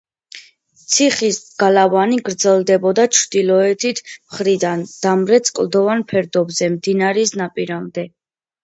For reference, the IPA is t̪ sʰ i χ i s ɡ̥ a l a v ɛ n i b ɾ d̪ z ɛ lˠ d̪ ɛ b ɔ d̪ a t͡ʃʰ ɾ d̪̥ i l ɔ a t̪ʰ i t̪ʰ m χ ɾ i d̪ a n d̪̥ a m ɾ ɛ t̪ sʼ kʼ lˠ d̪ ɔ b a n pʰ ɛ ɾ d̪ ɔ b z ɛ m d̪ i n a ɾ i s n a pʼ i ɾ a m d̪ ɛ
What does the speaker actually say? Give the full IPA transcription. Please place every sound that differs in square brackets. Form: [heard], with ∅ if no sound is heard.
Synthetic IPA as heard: t̪ sʰ i χ i s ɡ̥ a l a v [a] n i [ɡ] ɾ d̪ z ɛ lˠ d̪ ɛ b ɔ d̪ a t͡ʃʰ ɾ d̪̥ i l ɔ [ɛ] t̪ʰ i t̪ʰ m χ ɾ i d̪ a n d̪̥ a m ɾ ɛ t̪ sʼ kʼ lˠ d̪ ɔ [v] a n pʰ ɛ ɾ d̪ ɔ b z ɛ m d̪ i n a ɾ i s n a pʼ i ɾ a m d̪ ɛ